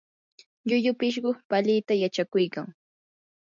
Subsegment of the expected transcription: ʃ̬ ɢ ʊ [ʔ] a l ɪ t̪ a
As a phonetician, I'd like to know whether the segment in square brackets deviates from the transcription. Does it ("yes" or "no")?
yes